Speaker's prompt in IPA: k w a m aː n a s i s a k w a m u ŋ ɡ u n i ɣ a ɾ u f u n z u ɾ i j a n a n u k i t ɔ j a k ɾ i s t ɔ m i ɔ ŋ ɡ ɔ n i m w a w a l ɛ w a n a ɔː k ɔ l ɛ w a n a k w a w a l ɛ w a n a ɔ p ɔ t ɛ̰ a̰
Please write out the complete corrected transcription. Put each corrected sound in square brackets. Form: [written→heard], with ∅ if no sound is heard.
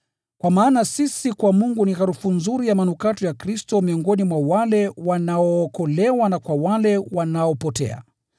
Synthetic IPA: k w a m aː n a s i s [a→i] k w a m u ŋ ɡ u n i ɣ a ɾ u f u n z u ɾ i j a [n→m] a n u k [i→a] t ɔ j a k ɾ i s t ɔ m i ɔ ŋ ɡ ɔ n i m w a w a l ɛ w a n a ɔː k ɔ l ɛ w a n a k w a w a l ɛ w a n a ɔ p ɔ t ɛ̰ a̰